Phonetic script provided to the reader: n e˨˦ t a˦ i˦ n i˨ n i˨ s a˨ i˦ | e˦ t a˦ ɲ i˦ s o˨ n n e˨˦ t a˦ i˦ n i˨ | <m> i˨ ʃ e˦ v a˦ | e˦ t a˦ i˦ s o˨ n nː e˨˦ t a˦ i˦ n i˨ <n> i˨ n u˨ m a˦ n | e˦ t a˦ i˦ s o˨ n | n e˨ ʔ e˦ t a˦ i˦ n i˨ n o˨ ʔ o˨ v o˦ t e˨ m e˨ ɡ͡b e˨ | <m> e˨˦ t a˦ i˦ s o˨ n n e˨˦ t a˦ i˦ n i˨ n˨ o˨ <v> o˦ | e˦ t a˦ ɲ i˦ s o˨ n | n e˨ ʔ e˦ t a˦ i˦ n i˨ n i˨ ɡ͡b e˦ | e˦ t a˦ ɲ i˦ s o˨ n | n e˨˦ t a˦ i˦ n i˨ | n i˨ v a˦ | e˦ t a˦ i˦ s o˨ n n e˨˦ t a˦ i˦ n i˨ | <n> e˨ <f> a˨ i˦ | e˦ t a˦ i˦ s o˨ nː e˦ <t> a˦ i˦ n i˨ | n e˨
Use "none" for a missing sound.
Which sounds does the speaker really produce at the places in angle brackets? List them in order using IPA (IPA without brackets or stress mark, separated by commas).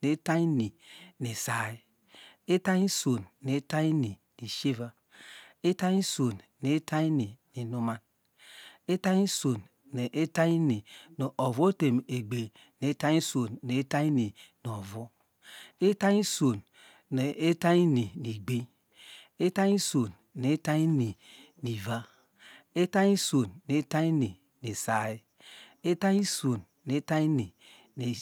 n, n, n, v, n, s, t